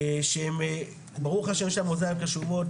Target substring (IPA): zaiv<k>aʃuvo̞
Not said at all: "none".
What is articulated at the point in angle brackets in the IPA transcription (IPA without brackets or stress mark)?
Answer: k